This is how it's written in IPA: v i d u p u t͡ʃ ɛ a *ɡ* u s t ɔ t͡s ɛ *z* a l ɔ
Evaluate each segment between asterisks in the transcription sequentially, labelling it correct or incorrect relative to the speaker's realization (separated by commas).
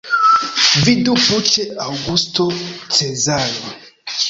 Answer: correct, correct